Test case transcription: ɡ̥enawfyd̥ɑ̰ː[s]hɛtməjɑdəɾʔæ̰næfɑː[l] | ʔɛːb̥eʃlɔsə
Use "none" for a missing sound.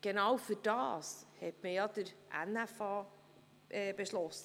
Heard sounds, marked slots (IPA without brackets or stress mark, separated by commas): s, none